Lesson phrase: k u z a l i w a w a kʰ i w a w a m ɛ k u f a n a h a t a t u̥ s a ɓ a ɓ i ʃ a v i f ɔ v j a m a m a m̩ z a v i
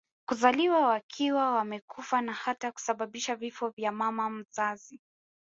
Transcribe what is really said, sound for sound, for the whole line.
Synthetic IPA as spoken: k u z a l i w a w a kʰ i w a w a m ɛ k u f a n a h a t a k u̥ s a ɓ a ɓ i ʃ a v i f ɔ v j a m a m a m̩ z a z i

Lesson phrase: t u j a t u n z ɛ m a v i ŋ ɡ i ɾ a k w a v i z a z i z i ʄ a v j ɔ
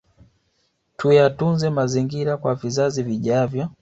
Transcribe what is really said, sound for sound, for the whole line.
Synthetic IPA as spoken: t u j a t u n z ɛ m a z i ŋ ɡ i ɾ a k w a v i z a z i v i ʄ a v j ɔ

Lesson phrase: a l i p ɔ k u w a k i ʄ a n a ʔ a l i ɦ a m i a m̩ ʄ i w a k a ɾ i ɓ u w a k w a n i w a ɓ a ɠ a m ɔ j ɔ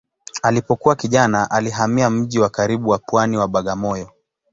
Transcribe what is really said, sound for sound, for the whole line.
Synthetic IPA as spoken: a l i p ɔ k u w a k i ʄ a n a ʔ a l i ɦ a m i a m̩ ʄ i w a k a ɾ i ɓ u w a p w a n i w a ɓ a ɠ a m ɔ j ɔ

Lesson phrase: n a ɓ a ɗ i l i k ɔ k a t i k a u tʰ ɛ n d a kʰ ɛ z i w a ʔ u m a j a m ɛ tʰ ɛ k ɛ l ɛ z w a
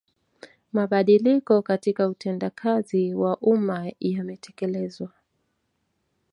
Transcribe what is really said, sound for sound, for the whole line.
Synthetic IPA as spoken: m a ɓ a ɗ i l i k ɔ k a t i k a u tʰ ɛ n d a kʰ a z i w a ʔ u m a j a m ɛ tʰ ɛ k ɛ l ɛ z w a

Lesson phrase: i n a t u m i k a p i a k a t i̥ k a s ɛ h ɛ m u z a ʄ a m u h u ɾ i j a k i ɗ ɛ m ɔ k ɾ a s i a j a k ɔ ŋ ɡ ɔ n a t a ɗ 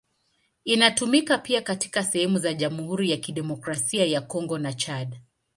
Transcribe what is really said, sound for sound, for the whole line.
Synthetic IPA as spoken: i n a t u m i k a p i a k a t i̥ k a s ɛ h ɛ m u z a ʄ a m u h u ɾ i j a k i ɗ ɛ m ɔ k ɾ a s i a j a k ɔ ŋ ɡ ɔ n a t͡ʃ a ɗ

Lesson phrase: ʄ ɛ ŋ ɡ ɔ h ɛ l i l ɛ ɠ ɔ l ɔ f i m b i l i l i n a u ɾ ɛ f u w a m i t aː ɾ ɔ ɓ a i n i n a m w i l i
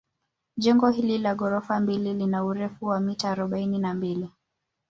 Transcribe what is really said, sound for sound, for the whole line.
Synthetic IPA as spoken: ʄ ɛ ŋ ɡ ɔ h i l i l a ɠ ɔ ɾ ɔ f a m b i l i l i n a u ɾ ɛ f u w a m i t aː ɾ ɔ ɓ a i n i n a m b i l i

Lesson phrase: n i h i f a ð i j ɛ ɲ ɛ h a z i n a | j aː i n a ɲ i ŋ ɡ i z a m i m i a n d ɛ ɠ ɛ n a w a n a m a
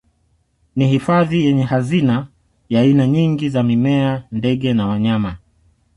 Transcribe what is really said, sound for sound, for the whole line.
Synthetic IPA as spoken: n i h i f a ð i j ɛ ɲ ɛ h a z i n a | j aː i n a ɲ i ŋ ɡ i z a m i m ɛ a n d ɛ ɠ ɛ n a w a ɲ a m a

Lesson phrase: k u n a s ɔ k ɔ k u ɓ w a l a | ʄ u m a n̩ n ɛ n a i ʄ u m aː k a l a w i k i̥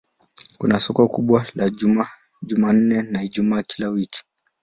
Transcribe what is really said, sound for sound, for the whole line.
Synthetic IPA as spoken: k u n a s ɔ k ɔ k u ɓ w a l a | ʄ u m a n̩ n ɛ n a i ʄ u m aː k i l a w i k i̥

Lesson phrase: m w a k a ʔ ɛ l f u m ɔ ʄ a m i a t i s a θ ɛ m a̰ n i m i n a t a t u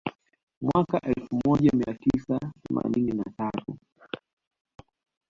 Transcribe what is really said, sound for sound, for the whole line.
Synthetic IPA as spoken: m w a k a ʔ ɛ l f u m ɔ ʄ a m i a t i s a θ ɛ m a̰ n i n i n a t a t u

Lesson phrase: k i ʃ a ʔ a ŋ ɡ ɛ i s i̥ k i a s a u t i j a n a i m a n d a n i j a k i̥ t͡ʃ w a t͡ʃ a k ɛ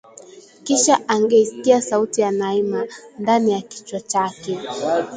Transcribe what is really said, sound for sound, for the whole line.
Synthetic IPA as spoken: k i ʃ a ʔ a ŋ ɡ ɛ i s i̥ k i a s a u t i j a n a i m a n d a n i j a k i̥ t͡ʃ w a t͡ʃ a k ɛ

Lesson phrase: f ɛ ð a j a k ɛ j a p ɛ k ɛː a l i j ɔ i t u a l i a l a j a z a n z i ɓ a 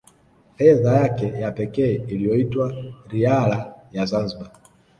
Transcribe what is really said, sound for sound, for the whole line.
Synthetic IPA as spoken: f ɛ ð a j a k ɛ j a p ɛ k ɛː i l i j ɔ i t w a ɾ i a l a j a z a n z i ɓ a

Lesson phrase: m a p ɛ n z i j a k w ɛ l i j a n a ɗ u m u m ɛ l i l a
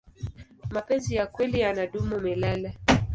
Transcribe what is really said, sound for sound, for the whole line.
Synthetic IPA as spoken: m a p ɛ n z i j a k w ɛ l i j a n a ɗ u m u m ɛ l a l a

